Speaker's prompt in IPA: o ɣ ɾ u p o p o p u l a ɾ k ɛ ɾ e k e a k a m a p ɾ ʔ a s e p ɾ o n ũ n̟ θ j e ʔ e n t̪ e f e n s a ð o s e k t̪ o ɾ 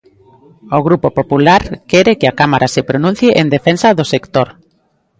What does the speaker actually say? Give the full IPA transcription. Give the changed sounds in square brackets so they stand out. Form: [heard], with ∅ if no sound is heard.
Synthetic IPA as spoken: o ɣ ɾ u p o p o p u l a ɾ k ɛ ɾ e k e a k a m a [∅] ɾ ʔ a s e p ɾ o n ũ n̟ θ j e ʔ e n [d̪] e f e n s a ð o s e k t̪ o ɾ